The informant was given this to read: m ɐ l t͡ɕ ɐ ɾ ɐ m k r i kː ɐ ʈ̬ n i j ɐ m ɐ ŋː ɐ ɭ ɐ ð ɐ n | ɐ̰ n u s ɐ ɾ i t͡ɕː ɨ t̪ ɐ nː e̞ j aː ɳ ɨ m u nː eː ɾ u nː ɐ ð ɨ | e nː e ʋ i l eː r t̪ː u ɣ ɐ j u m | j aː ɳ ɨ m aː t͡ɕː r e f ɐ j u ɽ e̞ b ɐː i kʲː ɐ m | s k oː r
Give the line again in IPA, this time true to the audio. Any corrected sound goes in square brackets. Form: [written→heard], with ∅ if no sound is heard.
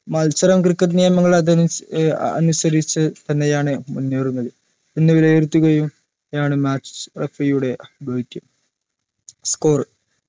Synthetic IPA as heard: m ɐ l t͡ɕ ɐ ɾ ɐ m k r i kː ɐ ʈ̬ n i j ɐ m ɐ ŋː ɐ ɭ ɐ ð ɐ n | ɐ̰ n u s ɐ ɾ i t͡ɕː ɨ t̪ ɐ nː e̞ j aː ɳ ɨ m u nː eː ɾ u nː ɐ ð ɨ | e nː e ʋ i l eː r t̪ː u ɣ ɐ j u m | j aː ɳ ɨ m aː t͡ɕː r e f ɐ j u ɽ e̞ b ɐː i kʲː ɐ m | s k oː r